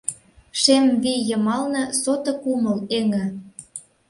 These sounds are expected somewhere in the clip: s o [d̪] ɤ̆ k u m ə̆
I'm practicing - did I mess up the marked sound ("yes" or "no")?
yes